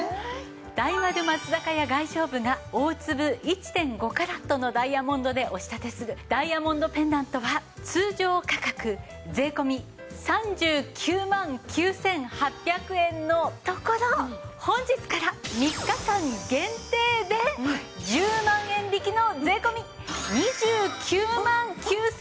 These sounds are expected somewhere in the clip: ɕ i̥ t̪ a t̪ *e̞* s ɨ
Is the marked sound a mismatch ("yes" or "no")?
no